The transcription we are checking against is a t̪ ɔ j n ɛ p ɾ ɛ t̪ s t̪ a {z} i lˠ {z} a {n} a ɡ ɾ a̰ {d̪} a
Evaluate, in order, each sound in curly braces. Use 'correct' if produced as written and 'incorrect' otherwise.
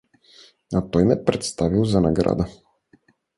incorrect: v, correct, correct, correct

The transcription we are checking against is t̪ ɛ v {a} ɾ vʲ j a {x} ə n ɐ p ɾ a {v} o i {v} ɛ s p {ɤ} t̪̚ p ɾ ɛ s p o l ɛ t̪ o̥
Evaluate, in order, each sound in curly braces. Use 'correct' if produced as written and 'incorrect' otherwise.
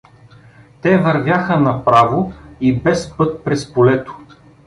incorrect: ɐ, correct, correct, incorrect: b, correct

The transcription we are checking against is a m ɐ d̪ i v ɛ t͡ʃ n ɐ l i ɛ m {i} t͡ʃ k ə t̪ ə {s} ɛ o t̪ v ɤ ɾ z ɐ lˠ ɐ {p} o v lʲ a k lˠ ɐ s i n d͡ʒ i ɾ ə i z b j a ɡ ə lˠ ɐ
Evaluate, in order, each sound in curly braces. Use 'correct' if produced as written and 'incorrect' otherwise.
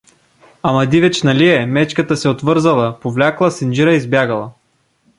incorrect: ɛ, correct, correct

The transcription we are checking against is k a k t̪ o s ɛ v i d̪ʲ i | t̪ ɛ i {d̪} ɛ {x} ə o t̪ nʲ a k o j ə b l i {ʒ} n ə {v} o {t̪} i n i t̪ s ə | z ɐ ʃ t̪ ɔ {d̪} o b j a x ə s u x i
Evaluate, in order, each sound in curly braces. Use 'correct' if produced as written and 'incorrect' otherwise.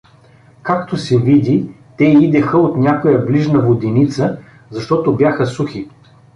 correct, correct, correct, correct, incorrect: d̪, incorrect: t̪

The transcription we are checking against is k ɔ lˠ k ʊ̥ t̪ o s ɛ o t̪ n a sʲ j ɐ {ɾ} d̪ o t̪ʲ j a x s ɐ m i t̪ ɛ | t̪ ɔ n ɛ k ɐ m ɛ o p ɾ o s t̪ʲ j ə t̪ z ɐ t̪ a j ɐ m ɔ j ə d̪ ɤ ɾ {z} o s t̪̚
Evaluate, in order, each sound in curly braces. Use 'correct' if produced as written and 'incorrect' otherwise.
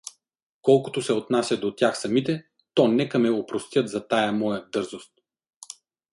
incorrect: none, correct

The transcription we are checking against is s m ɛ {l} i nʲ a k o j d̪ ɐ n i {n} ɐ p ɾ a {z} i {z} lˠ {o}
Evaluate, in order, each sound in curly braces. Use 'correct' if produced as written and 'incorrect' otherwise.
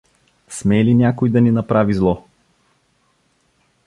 correct, correct, incorrect: v, correct, incorrect: ɔ

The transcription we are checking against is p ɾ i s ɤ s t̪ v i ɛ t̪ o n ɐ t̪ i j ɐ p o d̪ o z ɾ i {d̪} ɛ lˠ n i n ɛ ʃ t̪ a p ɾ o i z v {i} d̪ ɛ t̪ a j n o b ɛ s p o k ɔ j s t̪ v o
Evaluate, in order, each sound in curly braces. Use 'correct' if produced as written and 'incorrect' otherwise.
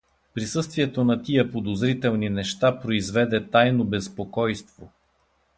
incorrect: t̪, incorrect: ɛ

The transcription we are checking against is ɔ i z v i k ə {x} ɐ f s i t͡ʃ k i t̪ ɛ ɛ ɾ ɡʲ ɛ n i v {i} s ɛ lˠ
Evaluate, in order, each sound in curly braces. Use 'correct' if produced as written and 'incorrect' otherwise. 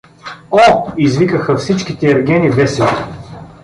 correct, incorrect: ɛ

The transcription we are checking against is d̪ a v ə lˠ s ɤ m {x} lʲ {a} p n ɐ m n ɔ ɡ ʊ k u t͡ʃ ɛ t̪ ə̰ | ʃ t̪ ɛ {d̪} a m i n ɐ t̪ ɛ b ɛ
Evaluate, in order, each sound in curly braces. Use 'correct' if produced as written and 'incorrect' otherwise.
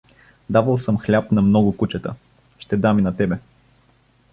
correct, correct, correct

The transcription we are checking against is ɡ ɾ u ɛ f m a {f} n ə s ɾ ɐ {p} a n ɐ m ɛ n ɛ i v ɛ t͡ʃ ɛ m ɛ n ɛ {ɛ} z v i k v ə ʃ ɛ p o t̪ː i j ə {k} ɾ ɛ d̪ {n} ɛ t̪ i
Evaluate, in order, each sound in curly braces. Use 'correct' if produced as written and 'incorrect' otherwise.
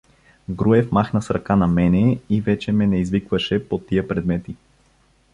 incorrect: x, incorrect: k, incorrect: i, incorrect: p, incorrect: m

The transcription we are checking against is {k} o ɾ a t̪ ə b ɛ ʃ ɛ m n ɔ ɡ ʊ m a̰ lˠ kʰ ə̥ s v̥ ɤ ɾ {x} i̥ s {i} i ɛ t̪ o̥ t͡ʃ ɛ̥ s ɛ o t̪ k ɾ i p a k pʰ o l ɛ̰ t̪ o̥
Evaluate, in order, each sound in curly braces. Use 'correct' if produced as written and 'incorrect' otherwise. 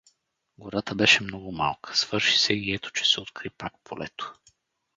incorrect: ɡ, incorrect: ʃ, incorrect: ɛ

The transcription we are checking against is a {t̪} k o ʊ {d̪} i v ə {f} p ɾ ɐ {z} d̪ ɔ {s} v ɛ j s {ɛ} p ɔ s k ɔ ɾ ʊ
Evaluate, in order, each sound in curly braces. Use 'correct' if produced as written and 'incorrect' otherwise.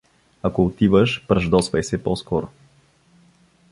incorrect: none, incorrect: t̪, incorrect: ʃ, incorrect: ʒ, correct, correct

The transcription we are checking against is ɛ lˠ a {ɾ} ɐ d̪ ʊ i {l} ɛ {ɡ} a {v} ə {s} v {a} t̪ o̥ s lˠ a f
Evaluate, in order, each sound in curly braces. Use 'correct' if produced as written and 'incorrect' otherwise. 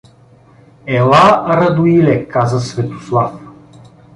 correct, correct, incorrect: k, incorrect: z, correct, incorrect: ɛ

